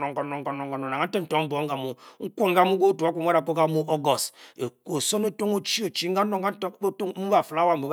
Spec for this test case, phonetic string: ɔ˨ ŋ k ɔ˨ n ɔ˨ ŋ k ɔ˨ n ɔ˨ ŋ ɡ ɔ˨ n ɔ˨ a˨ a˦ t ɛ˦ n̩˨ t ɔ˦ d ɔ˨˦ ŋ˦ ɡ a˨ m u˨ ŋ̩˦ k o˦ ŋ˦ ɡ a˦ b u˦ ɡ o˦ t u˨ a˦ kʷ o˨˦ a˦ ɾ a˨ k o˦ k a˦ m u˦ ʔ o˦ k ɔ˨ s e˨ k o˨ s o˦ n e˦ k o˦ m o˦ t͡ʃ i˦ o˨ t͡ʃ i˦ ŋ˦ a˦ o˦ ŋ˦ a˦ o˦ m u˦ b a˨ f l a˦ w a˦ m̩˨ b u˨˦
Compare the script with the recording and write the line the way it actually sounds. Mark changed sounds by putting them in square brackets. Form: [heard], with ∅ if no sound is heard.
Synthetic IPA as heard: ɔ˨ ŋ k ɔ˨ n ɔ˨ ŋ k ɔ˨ n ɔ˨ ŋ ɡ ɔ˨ n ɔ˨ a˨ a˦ t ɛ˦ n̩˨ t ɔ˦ [b] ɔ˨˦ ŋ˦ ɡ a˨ m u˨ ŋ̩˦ k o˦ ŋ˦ ɡ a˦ [m] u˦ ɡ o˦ t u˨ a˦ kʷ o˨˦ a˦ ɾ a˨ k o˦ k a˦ m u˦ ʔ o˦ [ɡ] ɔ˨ s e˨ k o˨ s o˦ n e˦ [t] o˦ [ŋ] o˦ t͡ʃ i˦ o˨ t͡ʃ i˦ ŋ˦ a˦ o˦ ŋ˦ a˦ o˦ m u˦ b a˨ f l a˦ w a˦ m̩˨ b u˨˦